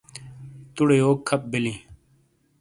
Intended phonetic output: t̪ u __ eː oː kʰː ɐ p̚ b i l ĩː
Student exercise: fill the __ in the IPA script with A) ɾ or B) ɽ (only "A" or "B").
B